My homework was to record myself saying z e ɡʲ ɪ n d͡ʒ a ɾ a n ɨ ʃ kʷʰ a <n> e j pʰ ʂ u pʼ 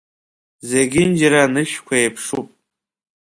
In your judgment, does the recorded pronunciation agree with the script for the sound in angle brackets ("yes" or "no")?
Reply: no